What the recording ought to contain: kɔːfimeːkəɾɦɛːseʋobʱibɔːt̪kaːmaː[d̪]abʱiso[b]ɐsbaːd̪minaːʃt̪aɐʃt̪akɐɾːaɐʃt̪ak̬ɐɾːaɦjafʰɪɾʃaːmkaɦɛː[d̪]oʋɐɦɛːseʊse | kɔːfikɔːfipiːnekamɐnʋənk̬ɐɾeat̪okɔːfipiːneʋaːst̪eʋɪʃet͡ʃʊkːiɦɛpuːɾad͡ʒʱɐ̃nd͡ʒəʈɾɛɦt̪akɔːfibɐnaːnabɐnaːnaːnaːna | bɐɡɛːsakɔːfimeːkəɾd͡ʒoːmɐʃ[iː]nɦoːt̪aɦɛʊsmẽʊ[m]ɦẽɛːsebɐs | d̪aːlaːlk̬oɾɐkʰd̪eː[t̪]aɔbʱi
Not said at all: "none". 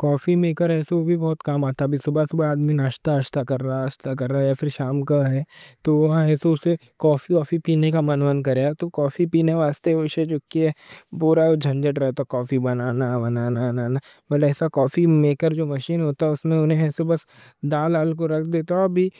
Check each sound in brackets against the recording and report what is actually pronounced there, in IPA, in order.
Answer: t̪, b, t̪, iː, n, t̪

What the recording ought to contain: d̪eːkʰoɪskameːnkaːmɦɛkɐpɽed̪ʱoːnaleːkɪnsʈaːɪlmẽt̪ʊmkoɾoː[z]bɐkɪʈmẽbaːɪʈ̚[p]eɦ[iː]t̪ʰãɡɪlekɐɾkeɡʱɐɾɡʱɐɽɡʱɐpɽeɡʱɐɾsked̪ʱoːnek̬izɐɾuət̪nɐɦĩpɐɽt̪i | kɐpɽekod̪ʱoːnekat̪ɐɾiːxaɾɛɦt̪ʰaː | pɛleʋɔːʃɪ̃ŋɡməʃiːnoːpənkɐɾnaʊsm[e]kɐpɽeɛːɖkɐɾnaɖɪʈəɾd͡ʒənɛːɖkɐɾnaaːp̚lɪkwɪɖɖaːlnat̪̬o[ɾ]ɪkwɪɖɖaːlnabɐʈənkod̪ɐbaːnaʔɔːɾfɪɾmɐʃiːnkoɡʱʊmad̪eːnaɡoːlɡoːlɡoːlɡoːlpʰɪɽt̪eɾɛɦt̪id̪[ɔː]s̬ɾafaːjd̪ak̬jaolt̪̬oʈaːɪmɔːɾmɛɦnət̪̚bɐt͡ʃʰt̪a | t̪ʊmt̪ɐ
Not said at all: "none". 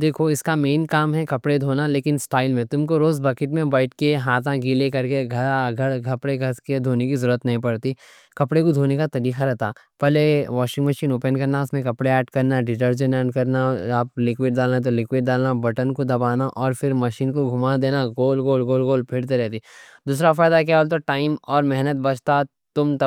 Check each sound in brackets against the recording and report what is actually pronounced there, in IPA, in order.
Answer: z, k, aː, ẽ, l, uː

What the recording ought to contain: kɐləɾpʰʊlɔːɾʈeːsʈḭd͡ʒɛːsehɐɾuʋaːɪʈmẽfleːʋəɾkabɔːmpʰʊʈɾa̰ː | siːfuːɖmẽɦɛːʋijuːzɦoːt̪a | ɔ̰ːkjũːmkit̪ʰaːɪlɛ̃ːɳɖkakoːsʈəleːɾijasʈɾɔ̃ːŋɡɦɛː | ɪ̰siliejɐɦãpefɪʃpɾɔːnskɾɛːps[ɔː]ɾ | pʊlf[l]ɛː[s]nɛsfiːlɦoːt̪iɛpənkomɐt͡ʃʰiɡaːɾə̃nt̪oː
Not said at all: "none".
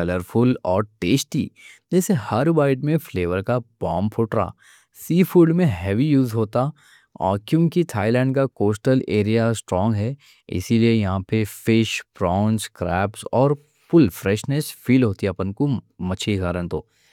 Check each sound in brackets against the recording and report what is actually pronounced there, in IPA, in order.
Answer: ɔː, ɾ, ʃ

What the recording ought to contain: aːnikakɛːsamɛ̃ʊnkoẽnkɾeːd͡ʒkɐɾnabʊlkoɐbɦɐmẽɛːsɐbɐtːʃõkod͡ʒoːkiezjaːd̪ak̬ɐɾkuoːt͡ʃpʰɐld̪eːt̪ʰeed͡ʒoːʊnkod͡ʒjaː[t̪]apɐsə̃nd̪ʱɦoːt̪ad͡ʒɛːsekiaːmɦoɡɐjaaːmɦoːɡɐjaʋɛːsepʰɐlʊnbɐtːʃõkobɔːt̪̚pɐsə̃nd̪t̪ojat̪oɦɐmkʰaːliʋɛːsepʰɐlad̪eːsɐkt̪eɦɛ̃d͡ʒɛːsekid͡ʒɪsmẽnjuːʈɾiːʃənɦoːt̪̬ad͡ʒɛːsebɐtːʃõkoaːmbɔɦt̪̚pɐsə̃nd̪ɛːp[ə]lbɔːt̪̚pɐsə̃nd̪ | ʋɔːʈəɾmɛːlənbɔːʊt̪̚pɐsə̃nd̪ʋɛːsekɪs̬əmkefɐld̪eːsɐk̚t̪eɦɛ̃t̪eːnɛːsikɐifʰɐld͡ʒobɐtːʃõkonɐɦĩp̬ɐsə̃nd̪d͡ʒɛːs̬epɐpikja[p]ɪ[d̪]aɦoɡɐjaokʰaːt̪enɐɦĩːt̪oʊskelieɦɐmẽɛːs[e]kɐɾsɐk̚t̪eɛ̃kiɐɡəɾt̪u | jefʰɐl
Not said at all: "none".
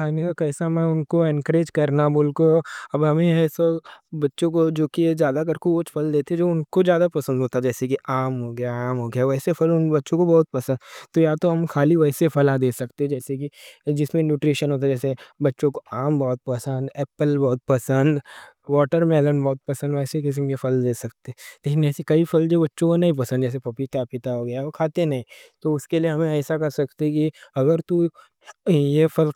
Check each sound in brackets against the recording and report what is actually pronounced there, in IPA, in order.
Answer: d̪, ə, p, t̪, a

